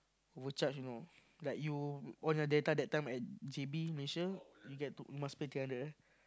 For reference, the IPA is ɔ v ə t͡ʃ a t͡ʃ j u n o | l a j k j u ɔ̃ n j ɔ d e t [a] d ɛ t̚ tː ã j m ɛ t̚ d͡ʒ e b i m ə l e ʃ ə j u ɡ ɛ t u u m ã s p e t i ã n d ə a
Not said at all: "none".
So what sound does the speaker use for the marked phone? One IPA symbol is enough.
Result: a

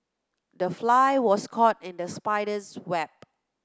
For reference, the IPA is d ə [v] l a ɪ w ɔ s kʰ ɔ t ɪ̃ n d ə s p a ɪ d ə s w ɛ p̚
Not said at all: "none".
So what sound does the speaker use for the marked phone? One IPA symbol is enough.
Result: f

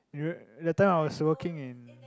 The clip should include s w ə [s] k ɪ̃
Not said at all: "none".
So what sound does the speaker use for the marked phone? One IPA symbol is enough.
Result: none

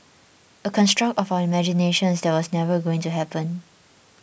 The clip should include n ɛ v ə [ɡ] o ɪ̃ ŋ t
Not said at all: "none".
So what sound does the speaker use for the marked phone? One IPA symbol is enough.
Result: ɡ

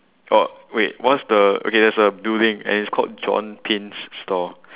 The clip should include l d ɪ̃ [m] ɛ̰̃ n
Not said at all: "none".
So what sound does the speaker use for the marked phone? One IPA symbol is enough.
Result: ŋ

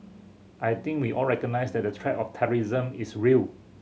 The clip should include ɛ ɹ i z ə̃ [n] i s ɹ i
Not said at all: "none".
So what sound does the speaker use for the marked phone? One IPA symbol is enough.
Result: m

